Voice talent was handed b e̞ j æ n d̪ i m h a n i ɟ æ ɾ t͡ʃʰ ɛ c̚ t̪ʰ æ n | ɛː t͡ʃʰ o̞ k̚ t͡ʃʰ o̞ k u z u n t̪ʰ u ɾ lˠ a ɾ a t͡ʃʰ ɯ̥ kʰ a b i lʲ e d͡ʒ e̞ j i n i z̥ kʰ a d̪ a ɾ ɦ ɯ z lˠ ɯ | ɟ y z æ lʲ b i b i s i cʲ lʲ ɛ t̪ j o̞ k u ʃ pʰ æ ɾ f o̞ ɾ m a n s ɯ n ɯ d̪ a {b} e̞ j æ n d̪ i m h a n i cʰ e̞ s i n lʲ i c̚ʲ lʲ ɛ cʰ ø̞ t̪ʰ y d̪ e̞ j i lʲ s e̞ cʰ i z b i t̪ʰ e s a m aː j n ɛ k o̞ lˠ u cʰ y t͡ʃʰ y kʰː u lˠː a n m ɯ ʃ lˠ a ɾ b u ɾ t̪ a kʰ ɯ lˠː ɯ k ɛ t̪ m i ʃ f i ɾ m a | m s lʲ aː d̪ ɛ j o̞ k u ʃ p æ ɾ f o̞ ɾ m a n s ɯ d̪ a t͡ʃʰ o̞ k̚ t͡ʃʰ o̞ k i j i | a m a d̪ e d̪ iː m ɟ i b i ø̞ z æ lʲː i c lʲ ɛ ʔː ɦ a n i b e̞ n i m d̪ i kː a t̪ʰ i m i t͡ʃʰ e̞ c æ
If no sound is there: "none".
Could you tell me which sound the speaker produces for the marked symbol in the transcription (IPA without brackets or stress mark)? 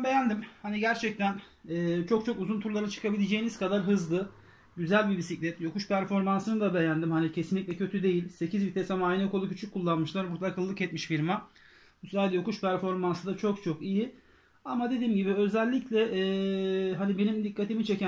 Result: b